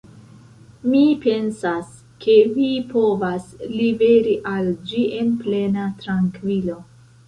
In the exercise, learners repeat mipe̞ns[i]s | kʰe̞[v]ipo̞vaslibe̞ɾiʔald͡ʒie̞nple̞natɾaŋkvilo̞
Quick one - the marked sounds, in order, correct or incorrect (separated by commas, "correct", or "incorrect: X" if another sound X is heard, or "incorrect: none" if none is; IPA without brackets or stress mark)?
incorrect: a, correct